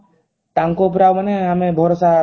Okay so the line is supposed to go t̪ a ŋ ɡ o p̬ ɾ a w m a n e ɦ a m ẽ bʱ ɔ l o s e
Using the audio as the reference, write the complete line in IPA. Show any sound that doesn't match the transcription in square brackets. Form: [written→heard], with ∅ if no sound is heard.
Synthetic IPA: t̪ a ŋ [ɡ→k] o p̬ ɾ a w m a n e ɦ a m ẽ bʱ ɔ [l→ɾ] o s [e→a]